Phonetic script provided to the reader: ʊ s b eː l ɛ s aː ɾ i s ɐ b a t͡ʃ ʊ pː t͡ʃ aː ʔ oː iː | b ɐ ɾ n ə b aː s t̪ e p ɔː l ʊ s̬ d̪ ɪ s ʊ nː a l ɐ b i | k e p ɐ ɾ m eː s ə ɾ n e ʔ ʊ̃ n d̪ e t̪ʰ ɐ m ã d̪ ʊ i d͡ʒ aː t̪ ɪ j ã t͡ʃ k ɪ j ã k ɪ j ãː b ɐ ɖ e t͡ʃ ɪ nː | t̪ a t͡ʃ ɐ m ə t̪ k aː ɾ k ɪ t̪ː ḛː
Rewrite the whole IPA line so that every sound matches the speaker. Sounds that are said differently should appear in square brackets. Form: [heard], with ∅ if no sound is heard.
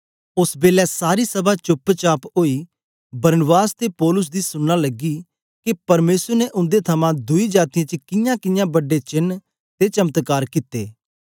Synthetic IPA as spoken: ʊ s b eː l ɛ s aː ɾ i s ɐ b a t͡ʃ ʊ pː t͡ʃ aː [p] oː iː | b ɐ ɾ n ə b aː s t̪ e p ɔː l ʊ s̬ d̪ [i] s ʊ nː a l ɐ [ɡ] i | k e p ɐ ɾ m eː s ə ɾ n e ʔ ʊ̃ n d̪ e t̪ʰ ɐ m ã d̪ ʊ i d͡ʒ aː t̪ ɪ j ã t͡ʃ k ɪ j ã k ɪ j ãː b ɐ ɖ e t͡ʃ ɪ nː | t̪ [e] t͡ʃ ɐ m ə t̪ k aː ɾ k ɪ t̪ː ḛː